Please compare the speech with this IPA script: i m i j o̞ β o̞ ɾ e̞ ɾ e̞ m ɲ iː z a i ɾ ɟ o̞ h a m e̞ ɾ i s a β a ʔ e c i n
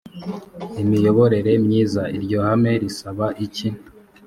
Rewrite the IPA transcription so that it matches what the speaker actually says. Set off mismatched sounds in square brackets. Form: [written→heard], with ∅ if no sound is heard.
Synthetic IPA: i m i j o̞ β o̞ ɾ e̞ ɾ e̞ m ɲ iː z a i ɾ ɟ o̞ h a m e̞ ɾ i s a β a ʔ [e→i] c i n